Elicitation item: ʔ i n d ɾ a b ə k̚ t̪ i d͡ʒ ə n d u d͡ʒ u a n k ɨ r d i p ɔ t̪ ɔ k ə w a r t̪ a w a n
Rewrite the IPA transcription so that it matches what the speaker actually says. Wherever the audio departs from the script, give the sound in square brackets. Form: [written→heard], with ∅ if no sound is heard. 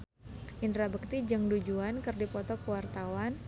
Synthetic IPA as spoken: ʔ i n d ɾ a b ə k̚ t̪ i d͡ʒ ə [n→ŋ] d u d͡ʒ u a n k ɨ r d i p ɔ t̪ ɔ k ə w a r t̪ a w a n